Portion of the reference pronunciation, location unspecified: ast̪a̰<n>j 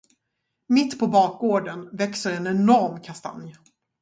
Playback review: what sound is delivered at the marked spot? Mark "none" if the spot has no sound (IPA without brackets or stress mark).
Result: n